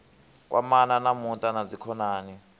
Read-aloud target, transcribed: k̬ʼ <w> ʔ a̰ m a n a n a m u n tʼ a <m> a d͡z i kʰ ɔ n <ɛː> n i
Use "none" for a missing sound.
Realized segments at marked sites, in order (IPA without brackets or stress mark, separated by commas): w, n, aː